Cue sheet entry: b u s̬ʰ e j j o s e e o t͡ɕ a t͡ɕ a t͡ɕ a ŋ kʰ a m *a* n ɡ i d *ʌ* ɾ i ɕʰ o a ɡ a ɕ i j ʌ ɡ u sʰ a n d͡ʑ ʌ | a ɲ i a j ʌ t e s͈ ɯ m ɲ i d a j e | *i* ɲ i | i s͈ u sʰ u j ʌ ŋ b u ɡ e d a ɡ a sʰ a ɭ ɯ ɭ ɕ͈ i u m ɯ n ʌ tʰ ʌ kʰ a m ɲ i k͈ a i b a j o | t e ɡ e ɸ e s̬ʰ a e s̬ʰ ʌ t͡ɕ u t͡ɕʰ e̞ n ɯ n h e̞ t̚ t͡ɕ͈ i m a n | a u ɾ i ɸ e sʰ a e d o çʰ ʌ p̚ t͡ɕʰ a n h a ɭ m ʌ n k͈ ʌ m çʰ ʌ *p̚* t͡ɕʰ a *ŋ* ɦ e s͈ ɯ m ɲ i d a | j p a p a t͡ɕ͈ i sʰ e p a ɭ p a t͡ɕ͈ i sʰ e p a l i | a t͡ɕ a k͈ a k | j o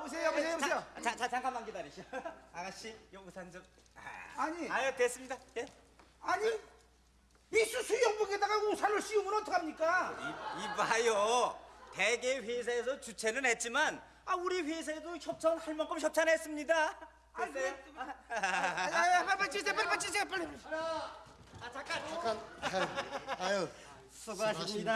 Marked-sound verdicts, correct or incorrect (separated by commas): correct, incorrect, incorrect, correct, incorrect